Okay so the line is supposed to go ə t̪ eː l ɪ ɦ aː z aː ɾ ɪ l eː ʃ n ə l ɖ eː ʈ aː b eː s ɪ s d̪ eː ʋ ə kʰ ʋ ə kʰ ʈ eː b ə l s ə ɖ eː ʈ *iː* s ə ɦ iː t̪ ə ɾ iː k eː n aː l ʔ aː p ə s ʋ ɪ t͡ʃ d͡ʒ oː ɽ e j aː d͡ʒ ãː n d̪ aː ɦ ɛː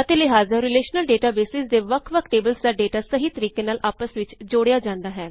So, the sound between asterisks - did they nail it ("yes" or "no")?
no